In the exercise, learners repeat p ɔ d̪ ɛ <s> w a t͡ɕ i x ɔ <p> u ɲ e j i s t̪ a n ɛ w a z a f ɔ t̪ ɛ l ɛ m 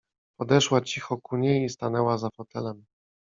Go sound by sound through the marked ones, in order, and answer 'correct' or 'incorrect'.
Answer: incorrect, incorrect

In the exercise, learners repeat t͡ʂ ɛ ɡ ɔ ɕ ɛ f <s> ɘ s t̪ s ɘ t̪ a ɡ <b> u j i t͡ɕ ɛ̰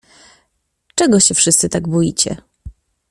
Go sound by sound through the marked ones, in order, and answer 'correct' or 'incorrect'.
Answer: incorrect, correct

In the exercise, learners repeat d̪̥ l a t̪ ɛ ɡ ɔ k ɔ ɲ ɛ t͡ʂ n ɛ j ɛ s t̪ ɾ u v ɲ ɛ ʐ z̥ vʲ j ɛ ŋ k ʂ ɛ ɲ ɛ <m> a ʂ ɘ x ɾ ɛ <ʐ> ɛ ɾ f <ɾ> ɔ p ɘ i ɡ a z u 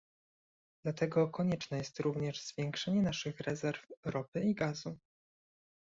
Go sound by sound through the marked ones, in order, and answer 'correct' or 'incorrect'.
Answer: incorrect, incorrect, correct

